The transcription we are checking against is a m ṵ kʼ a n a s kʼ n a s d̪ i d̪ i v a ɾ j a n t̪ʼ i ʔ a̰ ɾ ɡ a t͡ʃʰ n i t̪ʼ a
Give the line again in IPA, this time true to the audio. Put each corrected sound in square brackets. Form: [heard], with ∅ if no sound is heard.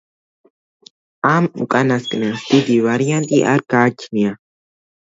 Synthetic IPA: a m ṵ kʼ a n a s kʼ n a s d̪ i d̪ i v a ɾ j a n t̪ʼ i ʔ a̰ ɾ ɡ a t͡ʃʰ n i [∅] a